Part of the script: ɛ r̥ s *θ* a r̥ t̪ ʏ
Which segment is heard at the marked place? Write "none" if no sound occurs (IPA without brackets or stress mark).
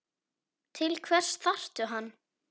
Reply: θ